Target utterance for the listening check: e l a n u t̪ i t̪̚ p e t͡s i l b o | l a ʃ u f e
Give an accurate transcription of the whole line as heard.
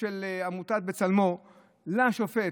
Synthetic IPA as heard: e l a m u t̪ a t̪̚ b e t͡s a l m o | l a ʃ o f e